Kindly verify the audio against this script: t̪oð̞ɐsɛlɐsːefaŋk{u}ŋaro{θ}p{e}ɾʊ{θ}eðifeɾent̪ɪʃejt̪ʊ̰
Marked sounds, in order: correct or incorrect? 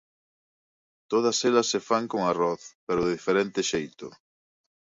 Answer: incorrect, correct, correct, incorrect

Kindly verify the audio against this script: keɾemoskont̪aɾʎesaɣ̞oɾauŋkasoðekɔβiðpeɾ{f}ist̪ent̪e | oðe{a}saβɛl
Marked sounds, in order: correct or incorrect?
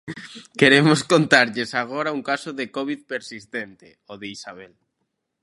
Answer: incorrect, incorrect

